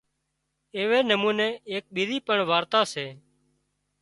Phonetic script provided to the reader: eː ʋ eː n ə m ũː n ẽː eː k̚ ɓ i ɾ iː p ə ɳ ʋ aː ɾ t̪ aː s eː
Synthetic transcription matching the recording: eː ʋ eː n ə m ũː n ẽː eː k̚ ɓ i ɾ iː p ə ɳ ʋ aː ɾ t̪ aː s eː

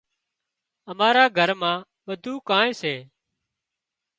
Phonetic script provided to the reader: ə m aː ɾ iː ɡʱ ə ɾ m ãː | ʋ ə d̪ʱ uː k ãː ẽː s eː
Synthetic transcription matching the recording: ə m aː ɾ aː ɡʱ ə ɾ m ãː | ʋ ə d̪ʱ uː k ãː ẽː s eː

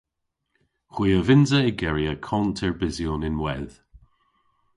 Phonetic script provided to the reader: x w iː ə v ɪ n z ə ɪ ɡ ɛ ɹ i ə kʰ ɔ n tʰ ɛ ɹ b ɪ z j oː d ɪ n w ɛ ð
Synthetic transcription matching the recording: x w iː ə v ɪ n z ə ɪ ɡ ɛ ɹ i ə kʰ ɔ n tʰ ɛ ɹ b ɪ z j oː n ɪ n w ɛ ð

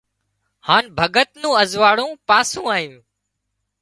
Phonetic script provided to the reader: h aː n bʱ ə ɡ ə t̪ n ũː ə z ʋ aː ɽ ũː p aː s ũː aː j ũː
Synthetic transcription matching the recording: h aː n bʱ ə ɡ ə t̪ n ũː ə z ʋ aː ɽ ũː p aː s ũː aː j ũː

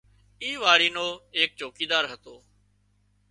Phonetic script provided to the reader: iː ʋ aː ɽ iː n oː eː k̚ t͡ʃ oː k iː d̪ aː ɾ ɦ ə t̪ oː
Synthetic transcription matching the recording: iː ʋ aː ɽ iː n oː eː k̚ t͡ʃ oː k iː d̪ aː ɾ ɦ ə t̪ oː

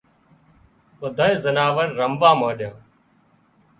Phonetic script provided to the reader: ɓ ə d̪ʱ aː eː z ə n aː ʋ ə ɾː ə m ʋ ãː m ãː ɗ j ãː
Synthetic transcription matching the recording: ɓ ə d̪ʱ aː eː z ə n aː ʋ ə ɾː ə m ʋ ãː m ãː ɗ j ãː

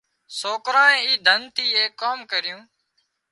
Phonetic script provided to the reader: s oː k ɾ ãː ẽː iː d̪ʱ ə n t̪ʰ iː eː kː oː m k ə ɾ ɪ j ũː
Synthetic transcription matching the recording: s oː k ɾ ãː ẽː iː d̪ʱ ə n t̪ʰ iː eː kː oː m k ə ɾ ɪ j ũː

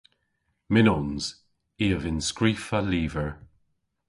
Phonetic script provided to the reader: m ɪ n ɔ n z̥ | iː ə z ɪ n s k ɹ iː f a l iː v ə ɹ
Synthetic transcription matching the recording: m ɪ n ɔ n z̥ | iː ə v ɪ n s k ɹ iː f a l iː v ə ɹ

